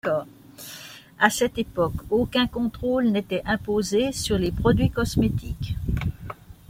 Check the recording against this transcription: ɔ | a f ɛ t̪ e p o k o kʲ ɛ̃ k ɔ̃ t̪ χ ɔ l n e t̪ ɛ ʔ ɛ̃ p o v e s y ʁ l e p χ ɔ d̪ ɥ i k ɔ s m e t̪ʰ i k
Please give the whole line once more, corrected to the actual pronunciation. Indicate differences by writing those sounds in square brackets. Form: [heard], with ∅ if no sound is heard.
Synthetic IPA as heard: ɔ | a [s] ɛ t̪ e p [ɔ] k o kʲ ɛ̃ k ɔ̃ t̪ χ [o] l n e t̪ ɛ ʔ ɛ̃ p o [z] e s y ʁ l e p χ ɔ d̪ ɥ i k ɔ s m e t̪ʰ i k